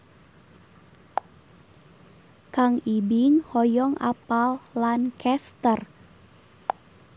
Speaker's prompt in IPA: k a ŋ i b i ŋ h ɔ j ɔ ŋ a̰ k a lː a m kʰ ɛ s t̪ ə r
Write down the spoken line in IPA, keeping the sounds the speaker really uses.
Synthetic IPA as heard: k a ŋ i b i ŋ h ɔ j ɔ ŋ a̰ p a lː a n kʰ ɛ s t̪ ə r

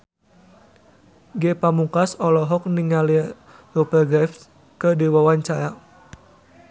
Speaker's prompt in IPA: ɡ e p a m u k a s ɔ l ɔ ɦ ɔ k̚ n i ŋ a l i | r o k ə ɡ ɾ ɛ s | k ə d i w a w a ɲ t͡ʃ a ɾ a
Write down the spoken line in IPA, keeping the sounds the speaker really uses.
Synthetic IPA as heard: ɡ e p a m u k a s ɔ l ɔ ɦ ɔ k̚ n i ŋ a l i | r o p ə ɡ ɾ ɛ f | k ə d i w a w a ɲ t͡ʃ a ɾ a

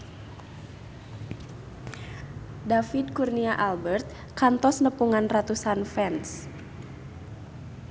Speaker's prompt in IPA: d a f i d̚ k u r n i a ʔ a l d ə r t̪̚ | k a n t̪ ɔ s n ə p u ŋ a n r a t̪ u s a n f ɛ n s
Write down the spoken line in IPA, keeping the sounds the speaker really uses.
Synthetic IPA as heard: d a f i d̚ k u r n i a ʔ a l b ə r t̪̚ | k a n t̪ ɔ s n ə p u ŋ a n r a t̪ u s a n f ɛ n s

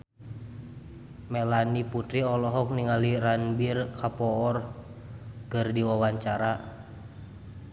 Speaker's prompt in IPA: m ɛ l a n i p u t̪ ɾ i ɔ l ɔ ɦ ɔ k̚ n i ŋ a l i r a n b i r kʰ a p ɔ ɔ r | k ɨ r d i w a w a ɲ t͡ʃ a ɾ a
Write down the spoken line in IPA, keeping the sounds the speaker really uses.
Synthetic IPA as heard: m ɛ l a n i p u t̪ ɾ i ɔ l ɔ ɦ ɔ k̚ n i ŋ a l i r a n b i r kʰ a p ɔ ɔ r | k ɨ r d i w a w a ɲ t͡ʃ a ɾ a

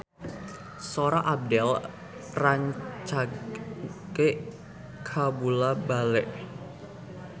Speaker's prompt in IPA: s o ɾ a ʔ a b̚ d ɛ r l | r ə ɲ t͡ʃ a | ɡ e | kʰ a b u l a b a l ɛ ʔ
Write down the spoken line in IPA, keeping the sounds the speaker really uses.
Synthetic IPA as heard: s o ɾ a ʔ a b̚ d ɛ l | r a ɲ t͡ʃ a | k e | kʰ a b u l a b a l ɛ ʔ

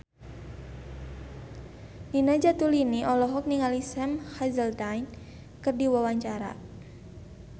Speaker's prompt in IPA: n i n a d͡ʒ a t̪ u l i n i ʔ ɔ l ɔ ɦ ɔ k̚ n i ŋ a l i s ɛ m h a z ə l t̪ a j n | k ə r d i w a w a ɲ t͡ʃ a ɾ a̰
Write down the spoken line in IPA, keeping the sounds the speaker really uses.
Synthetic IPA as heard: n i n a d͡ʒ a t̪ u l i n i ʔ ɔ l ɔ ɦ ɔ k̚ n i ŋ a l i s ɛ m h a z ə l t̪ a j n | k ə r d i w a w a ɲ t͡ʃ a ɾ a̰

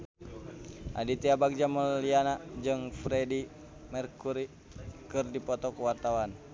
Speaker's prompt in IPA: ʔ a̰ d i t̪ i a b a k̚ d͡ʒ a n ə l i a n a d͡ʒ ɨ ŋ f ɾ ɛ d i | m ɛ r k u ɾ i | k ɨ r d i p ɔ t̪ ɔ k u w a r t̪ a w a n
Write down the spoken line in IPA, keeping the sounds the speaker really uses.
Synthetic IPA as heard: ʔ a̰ d i t̪ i a b a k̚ d͡ʒ a m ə l i a n a d͡ʒ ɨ ŋ f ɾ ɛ d i | m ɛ r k u ɾ i | k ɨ r d i p ɔ t̪ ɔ k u w a r t̪ a w a n

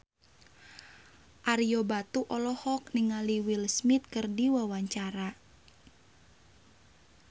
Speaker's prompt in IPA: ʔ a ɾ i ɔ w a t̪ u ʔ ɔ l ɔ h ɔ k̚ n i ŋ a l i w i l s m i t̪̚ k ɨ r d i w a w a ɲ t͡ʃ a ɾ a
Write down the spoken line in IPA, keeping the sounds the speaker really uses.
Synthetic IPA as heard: ʔ a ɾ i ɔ b a t̪ u ʔ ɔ l ɔ h ɔ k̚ n i ŋ a l i w i l s m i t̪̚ k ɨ r d i w a w a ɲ t͡ʃ a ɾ a

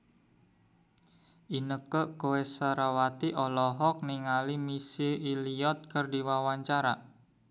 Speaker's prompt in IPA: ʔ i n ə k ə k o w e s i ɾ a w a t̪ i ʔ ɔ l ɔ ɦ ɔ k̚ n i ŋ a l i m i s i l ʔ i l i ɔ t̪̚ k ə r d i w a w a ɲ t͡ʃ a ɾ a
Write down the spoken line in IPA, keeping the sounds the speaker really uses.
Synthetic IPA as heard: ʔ i n ə k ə k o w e s a ɾ a w a t̪ i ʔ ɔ l ɔ ɦ ɔ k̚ n i ŋ a l i m i s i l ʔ i l i ɔ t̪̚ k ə r d i w a w a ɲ t͡ʃ a ɾ a

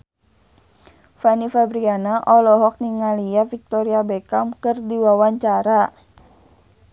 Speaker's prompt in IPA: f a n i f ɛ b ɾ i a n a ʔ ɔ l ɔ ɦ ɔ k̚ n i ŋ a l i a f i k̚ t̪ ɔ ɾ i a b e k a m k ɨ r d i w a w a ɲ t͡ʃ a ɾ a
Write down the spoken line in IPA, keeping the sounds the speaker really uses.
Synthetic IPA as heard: f a n i f a b ɾ i a n a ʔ ɔ l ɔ ɦ ɔ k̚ n i ŋ a l i a f i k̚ t̪ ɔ ɾ i a b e k a m k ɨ r d i w a w a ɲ t͡ʃ a ɾ a

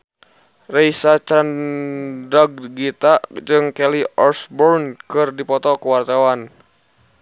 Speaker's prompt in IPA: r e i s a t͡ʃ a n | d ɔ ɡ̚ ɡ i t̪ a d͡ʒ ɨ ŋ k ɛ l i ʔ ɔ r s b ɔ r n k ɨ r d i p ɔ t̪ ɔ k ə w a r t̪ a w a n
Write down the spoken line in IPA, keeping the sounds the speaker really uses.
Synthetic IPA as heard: r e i s a t͡ʃ a n | d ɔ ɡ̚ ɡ i t̪ a d͡ʒ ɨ ŋ k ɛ l i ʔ ɔ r s b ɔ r n k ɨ r d i p ɔ t̪ ɔ k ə w a r t̪ a w a n

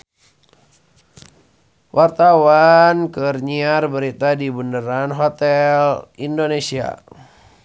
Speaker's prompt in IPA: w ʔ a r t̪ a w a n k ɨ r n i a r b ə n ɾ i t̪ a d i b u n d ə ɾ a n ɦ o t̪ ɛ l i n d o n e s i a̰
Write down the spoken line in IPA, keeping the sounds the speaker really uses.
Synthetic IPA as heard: w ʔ a r t̪ a w a n k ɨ r ɲ i a r b ə ɾ i t̪ a d i b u n d ə ɾ a n ɦ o t̪ ɛ l i n d o n e s i a̰

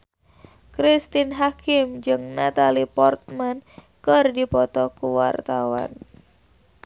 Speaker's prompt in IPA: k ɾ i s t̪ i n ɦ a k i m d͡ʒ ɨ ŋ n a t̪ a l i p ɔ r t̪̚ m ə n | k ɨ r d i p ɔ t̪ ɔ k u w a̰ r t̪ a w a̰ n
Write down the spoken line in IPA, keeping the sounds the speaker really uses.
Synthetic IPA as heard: k ɾ i s t̪ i n ɦ a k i m d͡ʒ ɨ ŋ n a t̪ a l i p ɔ r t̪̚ m a n | k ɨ r d i p ɔ t̪ ɔ k u w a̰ r t̪ a w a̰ n

